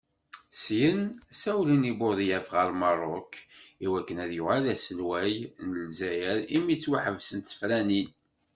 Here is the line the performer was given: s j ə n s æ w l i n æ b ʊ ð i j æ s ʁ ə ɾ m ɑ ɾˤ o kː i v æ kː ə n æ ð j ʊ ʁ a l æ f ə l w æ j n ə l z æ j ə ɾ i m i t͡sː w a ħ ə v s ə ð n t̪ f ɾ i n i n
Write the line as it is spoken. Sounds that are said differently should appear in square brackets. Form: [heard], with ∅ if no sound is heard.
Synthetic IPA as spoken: s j ə n s æ w l i n [i] b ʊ ð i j æ [f] ʁ ə ɾ m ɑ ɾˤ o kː i [w] æ kː ə n æ ð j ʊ ʁ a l æ [s] ə l w æ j n ə l z æ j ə ɾ i m i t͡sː w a ħ ə v s ə [∅] n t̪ f ɾ [æ] n i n